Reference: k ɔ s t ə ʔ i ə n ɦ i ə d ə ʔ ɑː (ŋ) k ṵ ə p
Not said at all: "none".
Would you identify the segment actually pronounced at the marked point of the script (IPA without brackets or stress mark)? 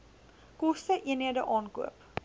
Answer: n